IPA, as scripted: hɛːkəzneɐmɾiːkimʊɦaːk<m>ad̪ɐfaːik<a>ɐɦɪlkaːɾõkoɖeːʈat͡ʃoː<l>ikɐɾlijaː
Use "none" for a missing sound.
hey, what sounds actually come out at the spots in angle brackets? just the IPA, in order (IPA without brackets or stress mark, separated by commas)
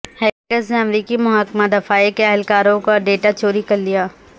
m, e, ɾ